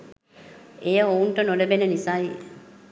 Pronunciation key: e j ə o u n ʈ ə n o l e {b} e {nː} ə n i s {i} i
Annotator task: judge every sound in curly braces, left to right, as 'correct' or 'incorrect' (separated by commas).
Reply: correct, incorrect, incorrect